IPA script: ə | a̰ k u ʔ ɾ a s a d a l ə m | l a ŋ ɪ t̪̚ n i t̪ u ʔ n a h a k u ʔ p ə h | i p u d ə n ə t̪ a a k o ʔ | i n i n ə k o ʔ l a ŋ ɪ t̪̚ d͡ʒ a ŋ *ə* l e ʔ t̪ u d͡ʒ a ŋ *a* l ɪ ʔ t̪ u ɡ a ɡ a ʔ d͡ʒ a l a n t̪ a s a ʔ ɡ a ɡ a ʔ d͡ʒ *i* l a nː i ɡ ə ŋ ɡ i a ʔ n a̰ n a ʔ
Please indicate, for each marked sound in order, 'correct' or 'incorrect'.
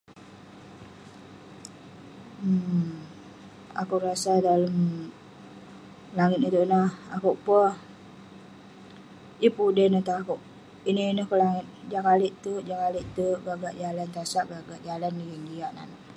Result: incorrect: a, correct, incorrect: a

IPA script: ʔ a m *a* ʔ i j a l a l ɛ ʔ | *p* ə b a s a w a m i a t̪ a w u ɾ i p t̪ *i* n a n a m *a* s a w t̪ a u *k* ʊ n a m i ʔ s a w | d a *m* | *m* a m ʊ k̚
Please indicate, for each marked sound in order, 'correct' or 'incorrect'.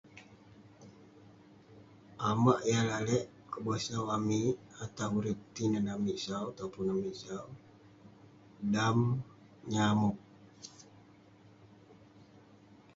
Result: correct, incorrect: k, correct, incorrect: i, incorrect: p, correct, incorrect: ɲ

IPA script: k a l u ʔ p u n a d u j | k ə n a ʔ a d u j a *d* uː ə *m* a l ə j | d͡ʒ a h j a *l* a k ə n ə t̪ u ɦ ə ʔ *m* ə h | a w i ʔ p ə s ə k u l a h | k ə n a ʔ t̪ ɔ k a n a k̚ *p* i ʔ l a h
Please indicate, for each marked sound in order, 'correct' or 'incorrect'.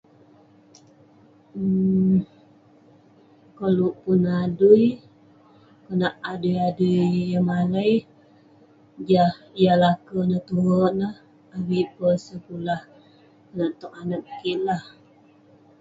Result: correct, correct, correct, incorrect: n, incorrect: k

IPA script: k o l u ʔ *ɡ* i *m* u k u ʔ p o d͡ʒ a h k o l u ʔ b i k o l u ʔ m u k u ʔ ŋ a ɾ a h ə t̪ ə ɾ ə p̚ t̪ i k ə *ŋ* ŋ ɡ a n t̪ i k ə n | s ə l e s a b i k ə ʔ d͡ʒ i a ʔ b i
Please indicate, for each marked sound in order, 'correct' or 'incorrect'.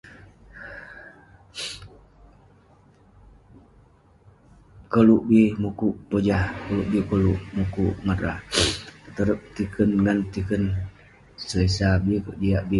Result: incorrect: b, correct, incorrect: n

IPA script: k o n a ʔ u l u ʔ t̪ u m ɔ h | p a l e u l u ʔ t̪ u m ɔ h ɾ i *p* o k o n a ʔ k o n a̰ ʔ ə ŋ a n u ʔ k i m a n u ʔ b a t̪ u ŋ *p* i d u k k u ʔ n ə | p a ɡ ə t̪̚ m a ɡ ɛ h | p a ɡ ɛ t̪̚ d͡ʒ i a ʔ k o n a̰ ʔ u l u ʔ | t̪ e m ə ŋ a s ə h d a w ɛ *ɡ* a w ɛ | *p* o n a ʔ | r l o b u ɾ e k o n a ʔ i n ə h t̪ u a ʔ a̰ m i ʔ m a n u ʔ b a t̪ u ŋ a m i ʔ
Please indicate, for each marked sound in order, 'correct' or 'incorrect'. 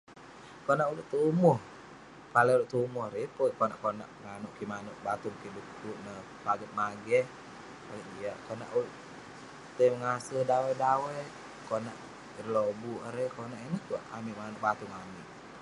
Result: correct, incorrect: k, incorrect: d, incorrect: k

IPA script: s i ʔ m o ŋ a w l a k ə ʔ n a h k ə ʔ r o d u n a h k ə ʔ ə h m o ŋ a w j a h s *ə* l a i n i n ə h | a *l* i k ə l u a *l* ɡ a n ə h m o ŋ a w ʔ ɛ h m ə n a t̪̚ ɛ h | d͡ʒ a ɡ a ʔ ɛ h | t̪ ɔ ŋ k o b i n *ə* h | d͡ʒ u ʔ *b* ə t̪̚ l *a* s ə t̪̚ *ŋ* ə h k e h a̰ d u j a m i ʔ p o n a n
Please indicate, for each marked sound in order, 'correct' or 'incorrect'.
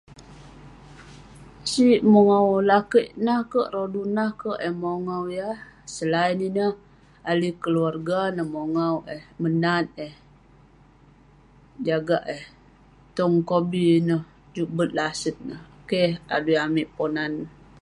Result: correct, correct, incorrect: r, correct, correct, correct, incorrect: n

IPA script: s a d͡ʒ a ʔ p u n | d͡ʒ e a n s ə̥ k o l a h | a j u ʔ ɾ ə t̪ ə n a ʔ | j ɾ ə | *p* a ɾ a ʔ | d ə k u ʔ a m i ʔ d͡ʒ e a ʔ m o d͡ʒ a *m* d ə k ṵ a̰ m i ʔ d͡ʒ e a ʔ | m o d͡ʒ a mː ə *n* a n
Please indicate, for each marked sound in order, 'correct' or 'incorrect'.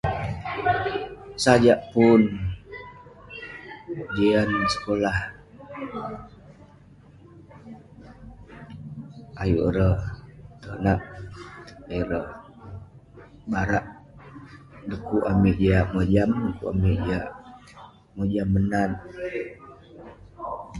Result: incorrect: b, correct, correct

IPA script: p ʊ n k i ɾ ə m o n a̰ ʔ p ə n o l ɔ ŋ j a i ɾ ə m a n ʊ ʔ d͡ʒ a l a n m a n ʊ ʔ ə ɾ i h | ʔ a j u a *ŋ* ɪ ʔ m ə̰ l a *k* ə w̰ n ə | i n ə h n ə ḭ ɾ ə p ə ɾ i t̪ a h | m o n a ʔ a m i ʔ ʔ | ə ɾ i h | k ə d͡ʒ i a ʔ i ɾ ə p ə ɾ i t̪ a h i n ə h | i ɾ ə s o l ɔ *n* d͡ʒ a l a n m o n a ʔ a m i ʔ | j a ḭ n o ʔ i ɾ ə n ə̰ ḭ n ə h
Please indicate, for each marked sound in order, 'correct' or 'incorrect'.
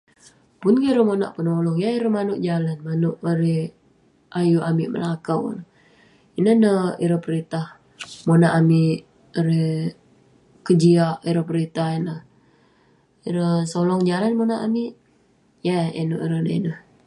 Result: incorrect: m, correct, incorrect: ŋ

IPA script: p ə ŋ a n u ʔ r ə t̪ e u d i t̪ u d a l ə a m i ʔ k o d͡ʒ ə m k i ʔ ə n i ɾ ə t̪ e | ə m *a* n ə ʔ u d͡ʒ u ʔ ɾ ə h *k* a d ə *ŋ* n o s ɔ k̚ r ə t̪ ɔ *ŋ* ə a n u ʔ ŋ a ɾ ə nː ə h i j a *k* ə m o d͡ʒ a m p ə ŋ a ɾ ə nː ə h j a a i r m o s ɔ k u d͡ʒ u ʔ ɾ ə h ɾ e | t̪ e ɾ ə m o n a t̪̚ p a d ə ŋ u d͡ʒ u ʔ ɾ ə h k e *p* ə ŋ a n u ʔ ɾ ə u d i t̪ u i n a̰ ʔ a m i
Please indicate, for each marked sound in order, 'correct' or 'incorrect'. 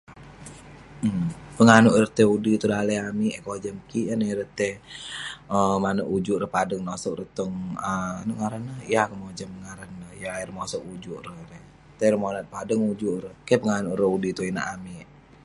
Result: correct, incorrect: p, correct, correct, correct, correct

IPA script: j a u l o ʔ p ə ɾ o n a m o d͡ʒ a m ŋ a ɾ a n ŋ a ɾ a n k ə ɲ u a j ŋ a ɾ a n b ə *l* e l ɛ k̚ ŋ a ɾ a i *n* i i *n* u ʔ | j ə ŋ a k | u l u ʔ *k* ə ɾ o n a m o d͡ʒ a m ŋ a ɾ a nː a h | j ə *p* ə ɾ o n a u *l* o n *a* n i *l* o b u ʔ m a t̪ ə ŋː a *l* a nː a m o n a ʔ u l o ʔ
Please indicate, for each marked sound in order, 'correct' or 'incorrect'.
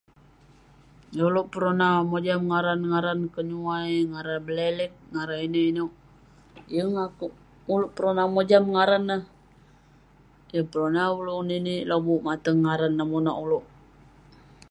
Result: correct, correct, correct, incorrect: p, correct, correct, incorrect: i, correct, incorrect: ɾ

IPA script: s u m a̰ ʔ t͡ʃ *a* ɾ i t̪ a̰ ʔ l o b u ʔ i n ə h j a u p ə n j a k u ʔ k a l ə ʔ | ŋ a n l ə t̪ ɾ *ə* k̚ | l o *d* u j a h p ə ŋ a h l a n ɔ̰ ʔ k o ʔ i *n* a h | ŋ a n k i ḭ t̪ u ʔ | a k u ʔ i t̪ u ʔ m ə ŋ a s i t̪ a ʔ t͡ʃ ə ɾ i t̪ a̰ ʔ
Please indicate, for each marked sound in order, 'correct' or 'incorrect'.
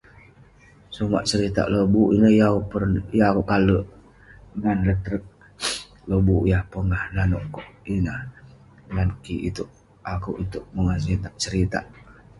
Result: incorrect: ə, correct, incorrect: b, correct

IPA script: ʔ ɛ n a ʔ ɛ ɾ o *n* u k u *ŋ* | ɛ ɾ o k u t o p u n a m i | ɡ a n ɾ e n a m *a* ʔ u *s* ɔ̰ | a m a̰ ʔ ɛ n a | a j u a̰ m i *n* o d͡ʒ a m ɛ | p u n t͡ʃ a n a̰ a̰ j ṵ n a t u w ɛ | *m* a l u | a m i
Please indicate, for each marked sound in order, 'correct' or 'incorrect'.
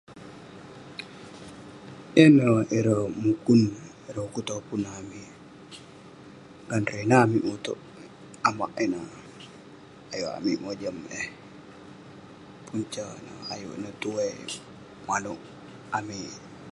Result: incorrect: m, incorrect: n, incorrect: i, incorrect: t, incorrect: m, correct

